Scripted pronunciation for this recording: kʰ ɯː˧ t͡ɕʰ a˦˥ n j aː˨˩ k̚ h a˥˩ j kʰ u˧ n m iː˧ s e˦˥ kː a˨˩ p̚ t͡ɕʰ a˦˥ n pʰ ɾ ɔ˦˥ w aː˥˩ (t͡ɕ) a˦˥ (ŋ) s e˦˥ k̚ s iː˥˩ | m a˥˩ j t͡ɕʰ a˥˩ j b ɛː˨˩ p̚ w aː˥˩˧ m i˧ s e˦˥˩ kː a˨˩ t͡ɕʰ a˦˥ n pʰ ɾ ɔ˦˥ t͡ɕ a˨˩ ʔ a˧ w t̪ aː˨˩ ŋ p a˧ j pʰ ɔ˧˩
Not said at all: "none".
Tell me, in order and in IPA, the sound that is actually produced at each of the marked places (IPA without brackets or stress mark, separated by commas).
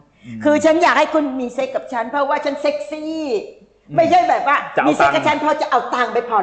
t͡ɕʰ, n